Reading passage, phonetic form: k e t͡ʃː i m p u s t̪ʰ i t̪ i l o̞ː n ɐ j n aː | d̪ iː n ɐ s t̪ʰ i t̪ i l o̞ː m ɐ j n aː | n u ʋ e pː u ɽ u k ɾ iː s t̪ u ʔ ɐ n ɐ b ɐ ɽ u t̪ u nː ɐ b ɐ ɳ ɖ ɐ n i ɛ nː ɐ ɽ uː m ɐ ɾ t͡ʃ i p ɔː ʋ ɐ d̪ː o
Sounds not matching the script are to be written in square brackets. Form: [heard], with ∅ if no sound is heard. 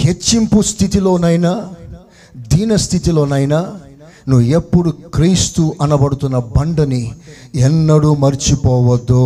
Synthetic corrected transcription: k e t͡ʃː i m p u s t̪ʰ i t̪ i l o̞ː n ɐ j n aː | d̪ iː n ɐ s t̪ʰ i t̪ i l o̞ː [n] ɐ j n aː | n u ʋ e pː u ɽ u k ɾ iː s t̪ u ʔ ɐ n ɐ b ɐ ɽ u t̪ u nː ɐ b ɐ ɳ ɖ ɐ n i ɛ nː ɐ ɽ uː m ɐ ɾ t͡ʃ i p ɔː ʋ ɐ d̪ː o